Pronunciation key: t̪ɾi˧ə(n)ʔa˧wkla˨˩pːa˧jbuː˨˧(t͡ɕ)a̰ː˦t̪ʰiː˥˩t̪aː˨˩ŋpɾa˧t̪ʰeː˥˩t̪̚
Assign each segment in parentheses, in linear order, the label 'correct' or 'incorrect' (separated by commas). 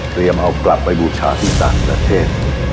incorrect, incorrect